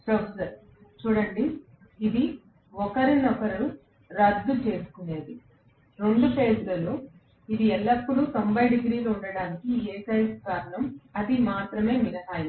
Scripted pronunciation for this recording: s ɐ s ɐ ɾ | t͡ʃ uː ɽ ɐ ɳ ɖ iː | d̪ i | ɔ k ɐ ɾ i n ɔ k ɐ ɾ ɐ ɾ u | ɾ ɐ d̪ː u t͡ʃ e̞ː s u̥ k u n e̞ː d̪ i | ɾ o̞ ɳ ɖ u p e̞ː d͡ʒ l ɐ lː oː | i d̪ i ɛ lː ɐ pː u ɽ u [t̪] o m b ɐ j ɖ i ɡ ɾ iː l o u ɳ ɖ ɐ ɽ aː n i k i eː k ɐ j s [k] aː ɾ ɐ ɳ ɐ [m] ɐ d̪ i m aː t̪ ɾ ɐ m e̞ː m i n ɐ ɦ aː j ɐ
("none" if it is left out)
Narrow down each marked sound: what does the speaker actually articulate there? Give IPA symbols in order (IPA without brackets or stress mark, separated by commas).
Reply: t̪, k, m